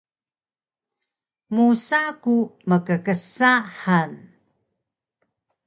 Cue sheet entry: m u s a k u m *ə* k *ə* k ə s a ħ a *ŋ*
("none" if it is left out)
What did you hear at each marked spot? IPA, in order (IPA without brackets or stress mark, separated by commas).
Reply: ə, ə, n